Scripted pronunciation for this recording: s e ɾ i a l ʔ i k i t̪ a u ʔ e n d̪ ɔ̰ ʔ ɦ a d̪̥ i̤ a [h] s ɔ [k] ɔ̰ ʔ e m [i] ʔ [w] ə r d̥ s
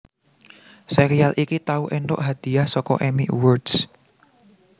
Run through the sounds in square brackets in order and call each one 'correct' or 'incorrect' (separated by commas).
correct, correct, correct, correct